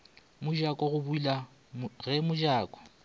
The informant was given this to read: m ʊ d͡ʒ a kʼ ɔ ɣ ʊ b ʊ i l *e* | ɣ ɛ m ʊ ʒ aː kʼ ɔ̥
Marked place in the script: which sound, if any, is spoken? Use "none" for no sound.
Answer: a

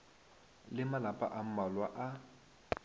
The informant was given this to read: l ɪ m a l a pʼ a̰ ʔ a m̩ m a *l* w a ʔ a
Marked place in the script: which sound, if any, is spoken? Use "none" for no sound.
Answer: l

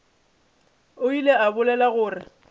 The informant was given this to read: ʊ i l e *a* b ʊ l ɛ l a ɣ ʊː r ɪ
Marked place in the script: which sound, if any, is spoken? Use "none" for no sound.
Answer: a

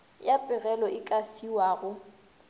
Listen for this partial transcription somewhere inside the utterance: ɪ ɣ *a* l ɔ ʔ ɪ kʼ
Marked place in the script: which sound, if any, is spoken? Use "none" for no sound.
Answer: ɛ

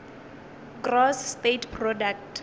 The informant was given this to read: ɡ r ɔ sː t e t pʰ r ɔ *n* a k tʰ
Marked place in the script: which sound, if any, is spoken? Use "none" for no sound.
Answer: d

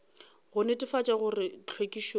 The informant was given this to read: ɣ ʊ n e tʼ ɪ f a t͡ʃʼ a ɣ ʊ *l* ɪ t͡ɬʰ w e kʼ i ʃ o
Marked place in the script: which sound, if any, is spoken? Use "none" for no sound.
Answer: r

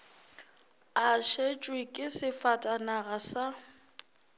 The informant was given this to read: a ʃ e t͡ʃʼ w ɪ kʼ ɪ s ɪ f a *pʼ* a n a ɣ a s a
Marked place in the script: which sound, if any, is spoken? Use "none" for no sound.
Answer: tʼ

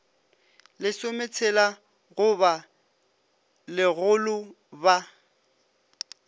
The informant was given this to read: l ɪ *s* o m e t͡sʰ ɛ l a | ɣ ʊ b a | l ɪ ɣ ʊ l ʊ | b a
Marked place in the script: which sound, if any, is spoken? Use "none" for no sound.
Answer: s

